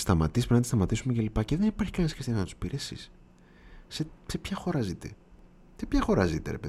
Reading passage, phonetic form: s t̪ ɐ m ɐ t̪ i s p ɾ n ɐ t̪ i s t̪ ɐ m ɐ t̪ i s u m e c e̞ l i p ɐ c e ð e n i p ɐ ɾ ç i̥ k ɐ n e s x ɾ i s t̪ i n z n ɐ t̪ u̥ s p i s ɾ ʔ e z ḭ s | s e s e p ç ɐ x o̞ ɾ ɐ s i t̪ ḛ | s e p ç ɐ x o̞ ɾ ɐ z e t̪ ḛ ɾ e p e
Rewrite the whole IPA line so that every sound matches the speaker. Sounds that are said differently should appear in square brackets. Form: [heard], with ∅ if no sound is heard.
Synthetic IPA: s t̪ ɐ m ɐ t̪ i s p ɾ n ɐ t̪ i s t̪ ɐ m ɐ t̪ i s u m e c e̞ l i p ɐ c e ð e n i p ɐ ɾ ç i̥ k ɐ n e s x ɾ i s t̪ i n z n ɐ t̪ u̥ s p i [∅] ɾ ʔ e [s] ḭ s | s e s e p ç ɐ x o̞ ɾ ɐ [z] i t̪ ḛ | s e p ç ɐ x o̞ ɾ ɐ z [i] t̪ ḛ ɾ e p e